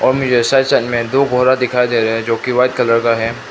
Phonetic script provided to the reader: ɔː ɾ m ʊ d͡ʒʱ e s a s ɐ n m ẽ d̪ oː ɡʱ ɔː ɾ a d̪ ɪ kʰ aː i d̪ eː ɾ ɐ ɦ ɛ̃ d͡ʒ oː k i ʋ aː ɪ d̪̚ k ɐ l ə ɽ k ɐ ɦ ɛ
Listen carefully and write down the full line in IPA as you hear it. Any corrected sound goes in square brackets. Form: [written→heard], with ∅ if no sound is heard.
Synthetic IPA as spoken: ɔː ɾ m ʊ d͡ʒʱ e s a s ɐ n m ẽ d̪ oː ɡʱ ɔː ɾ a d̪ ɪ kʰ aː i d̪ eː ɾ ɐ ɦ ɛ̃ d͡ʒ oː k i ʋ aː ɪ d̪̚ k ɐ l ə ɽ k [ɐ→a] ɦ ɛ